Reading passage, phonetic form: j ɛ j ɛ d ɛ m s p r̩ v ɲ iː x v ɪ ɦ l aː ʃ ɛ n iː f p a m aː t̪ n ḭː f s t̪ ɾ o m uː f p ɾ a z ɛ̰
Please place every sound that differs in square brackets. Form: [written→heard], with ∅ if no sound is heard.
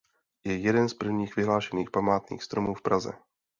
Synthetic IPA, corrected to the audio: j ɛ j ɛ d ɛ [m→n] s p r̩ v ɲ iː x v ɪ ɦ l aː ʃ ɛ n iː [f→x] p a m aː t̪ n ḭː [f→x] s t̪ ɾ o m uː f p ɾ a z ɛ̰